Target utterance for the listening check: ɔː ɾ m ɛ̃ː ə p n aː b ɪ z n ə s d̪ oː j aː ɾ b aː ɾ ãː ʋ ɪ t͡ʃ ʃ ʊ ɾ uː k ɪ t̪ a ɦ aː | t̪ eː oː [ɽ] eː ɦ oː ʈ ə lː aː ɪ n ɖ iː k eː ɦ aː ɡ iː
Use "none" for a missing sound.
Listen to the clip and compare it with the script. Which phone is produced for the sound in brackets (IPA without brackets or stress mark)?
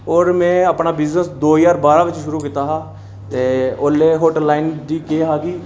l